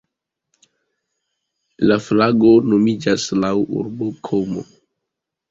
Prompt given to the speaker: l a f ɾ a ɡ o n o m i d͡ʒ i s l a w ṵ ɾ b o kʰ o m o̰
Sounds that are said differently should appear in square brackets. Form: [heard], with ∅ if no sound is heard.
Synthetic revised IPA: l a f [l] a ɡ o n o m i d͡ʒ [a] s l a w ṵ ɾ b o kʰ o m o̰